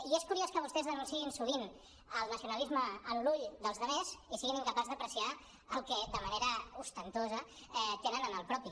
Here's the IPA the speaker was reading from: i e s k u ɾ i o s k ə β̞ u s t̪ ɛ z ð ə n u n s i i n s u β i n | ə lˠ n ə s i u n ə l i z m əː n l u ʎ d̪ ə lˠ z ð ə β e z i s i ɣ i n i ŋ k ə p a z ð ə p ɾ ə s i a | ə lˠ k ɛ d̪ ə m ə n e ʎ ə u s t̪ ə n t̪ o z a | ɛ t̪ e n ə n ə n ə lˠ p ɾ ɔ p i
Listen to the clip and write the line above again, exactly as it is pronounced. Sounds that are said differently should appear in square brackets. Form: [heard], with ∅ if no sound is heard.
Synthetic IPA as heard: i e s k u ɾ i o s k ə β̞ u s t̪ ɛ z ð ə n u n s i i n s u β i n | ə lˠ n ə s i u n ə l i z m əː n l u ʎ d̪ ə lˠ z ð ə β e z i s i ɣ i n i ŋ k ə p a z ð ə p ɾ ə s i a | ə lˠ k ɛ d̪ ə m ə n e [ɾ] ə u s t̪ ə n t̪ o z [ə] | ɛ t̪ e n ə n ə n ə lˠ p ɾ ɔ p i

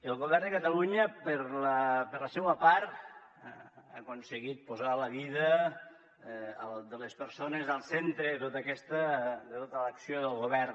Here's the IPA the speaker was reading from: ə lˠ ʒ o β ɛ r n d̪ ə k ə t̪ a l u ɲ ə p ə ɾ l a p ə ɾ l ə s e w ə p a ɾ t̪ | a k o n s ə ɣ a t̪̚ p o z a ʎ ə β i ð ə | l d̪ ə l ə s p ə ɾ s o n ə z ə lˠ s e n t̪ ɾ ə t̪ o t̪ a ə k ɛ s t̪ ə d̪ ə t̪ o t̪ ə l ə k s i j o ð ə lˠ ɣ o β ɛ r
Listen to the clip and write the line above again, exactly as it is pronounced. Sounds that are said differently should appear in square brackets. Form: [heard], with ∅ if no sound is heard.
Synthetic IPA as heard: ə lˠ [ɣ] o β ɛ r n d̪ ə k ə t̪ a l u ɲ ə p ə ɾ l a p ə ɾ l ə s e w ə p a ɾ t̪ | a k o n s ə ɣ [i] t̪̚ p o z a [l] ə β i ð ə | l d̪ ə l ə s p ə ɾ s o n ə z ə lˠ s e n t̪ ɾ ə t̪ o t̪ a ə k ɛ s t̪ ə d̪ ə t̪ o t̪ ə l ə k s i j o ð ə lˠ ɣ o β ɛ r

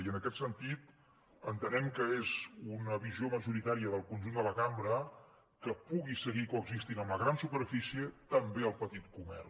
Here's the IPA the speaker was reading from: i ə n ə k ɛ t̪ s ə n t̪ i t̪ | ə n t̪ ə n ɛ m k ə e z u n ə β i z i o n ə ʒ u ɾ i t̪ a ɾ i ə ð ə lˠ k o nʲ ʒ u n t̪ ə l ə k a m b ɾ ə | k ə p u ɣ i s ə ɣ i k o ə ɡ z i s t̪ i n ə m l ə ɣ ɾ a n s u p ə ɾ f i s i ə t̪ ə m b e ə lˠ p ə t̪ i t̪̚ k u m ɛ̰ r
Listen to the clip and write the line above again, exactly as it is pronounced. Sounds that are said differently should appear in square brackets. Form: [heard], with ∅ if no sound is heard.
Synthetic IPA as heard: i ə n ə k ɛ t̪ s ə n t̪ i t̪ | ə n t̪ ə n ɛ m k ə e z u n ə β i z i o [m] ə ʒ u ɾ i t̪ a ɾ i ə ð ə lˠ k [u] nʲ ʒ u n [d̪] ə l ə k a m b ɾ ə | k ə p u ɣ i s ə ɣ i k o ə ɡ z i s t̪ i n ə m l ə ɣ ɾ a n s u p ə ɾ f i s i ə t̪ ə m b e ə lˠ p ə t̪ i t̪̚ k u m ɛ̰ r

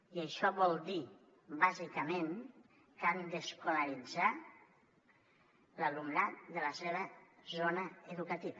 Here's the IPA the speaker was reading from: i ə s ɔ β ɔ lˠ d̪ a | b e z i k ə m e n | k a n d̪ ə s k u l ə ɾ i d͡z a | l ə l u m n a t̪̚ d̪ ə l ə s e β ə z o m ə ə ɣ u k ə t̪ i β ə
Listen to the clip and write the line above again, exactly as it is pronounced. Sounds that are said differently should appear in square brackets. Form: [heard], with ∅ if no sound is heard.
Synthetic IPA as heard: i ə [ʃ] ɔ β ɔ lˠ d̪ [i] | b [a] z i k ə m e n | k a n d̪ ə s k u l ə ɾ i d͡z a | l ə l u m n a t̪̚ d̪ ə l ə s e β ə z o [n] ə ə [ð] u k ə t̪ i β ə

